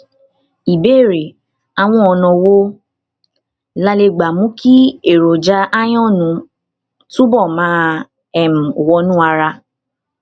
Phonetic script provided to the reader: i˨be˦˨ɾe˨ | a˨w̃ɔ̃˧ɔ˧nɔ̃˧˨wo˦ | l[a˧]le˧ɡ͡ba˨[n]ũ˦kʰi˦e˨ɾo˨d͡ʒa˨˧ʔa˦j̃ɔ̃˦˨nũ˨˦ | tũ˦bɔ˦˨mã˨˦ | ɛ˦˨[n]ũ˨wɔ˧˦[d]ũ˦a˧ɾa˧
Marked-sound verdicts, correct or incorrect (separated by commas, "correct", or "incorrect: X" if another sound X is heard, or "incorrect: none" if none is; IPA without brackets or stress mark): correct, incorrect: m, incorrect: m, incorrect: n